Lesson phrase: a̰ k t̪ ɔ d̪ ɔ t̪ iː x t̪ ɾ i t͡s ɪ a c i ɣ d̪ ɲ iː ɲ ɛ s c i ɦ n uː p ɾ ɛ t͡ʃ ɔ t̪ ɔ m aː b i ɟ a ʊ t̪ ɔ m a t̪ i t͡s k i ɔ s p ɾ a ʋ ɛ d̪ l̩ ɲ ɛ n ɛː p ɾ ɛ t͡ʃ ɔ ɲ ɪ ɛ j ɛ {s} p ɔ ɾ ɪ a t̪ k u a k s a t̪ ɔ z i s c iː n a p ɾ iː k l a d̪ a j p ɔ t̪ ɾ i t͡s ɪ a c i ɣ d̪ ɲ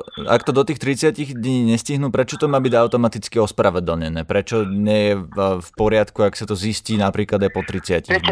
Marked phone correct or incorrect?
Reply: incorrect